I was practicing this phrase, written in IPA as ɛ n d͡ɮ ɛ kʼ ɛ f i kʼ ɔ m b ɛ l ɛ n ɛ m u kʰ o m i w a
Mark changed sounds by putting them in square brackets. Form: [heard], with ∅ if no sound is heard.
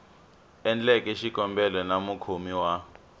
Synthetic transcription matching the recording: ɛ n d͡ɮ ɛ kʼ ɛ [ʃ] i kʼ ɔ m b ɛ l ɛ n [a] m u kʰ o m i w a